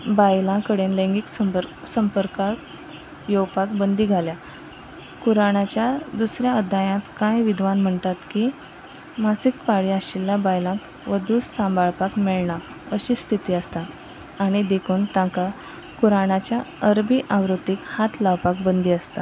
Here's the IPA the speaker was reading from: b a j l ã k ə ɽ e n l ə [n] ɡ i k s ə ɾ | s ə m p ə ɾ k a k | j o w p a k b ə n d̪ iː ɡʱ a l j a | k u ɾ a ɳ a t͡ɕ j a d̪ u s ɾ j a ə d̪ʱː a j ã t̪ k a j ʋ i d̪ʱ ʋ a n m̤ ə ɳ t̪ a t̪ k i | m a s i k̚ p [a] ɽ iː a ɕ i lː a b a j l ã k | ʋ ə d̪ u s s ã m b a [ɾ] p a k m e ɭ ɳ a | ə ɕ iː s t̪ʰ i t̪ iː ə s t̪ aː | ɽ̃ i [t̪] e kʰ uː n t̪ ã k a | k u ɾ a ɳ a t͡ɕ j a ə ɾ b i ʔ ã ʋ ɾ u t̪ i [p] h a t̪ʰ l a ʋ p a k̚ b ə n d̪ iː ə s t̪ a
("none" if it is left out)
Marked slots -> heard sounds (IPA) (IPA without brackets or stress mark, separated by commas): ŋ, a, ɭ, d̪, k